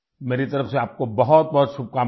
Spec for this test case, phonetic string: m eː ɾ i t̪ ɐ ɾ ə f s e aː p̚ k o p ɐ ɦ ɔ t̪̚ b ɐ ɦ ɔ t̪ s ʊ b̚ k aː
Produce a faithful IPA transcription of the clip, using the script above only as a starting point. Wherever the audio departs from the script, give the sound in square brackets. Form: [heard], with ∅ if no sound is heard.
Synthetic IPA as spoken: m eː ɾ i t̪ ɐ ɾ ə f s e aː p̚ k o [b] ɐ ɦ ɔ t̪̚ b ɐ ɦ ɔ t̪ [ʃ] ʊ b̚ k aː